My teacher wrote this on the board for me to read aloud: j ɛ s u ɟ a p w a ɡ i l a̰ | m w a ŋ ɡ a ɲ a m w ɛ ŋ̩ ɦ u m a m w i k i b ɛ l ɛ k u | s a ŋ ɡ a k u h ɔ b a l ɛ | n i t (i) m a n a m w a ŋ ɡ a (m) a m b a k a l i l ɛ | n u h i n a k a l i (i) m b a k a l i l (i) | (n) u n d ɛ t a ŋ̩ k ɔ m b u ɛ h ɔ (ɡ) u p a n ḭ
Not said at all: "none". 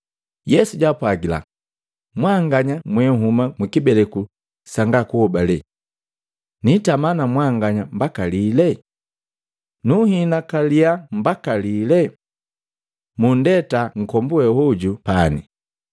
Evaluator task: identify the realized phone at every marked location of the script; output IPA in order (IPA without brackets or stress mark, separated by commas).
a, ɲ, a, ɛ, m, ɟ